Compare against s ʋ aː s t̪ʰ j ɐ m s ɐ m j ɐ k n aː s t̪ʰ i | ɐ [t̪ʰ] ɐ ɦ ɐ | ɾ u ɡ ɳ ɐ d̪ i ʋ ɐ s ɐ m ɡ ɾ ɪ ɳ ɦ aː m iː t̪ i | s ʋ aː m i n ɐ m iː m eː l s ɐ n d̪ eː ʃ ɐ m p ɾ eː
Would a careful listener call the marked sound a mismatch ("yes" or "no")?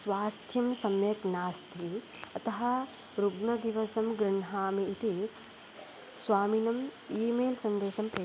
yes